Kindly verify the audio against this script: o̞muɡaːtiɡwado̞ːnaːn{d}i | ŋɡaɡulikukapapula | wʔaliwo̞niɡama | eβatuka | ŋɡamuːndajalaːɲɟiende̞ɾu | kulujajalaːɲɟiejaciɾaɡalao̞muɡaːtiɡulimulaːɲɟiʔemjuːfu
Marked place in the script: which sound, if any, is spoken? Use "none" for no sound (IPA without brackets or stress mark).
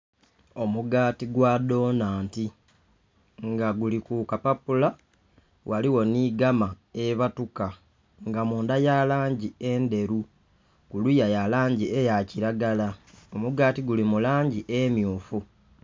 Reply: t